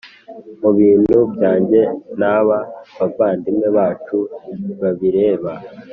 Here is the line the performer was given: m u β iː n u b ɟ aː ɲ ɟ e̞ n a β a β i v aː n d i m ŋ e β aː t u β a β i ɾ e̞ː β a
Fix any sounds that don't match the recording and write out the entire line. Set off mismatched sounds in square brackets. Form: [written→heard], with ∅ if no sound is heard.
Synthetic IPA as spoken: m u β iː n u b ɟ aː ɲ ɟ e̞ n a β a β [i→a] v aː n d i m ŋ e β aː [t→t͡ʃ] u β a β i ɾ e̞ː β a